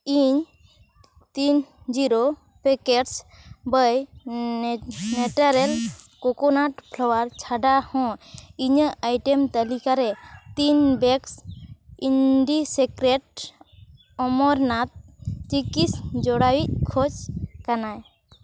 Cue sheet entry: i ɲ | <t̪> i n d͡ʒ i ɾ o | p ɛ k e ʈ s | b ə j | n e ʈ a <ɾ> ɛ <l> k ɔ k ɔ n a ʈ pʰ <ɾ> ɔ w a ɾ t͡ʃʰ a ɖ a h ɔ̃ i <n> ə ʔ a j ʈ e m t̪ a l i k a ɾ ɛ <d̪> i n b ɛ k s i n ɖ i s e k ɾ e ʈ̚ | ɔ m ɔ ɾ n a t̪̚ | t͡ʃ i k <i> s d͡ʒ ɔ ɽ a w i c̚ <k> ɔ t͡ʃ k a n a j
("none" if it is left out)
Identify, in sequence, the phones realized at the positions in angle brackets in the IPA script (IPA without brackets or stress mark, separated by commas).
t̪, ɾ, l, l, ɲ, t̪, i, kʰ